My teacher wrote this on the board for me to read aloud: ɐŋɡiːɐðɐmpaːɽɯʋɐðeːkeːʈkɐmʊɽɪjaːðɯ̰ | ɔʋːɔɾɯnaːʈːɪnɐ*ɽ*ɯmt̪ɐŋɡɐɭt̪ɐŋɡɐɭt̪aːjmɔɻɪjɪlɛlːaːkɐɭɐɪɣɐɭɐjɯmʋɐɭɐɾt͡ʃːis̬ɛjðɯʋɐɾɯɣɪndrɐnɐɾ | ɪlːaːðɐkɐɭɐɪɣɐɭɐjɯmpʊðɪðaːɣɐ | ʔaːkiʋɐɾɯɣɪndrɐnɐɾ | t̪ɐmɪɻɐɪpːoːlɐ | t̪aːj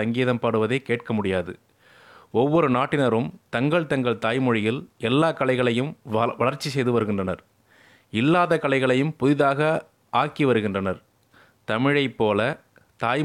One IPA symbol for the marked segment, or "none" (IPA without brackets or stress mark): ɾ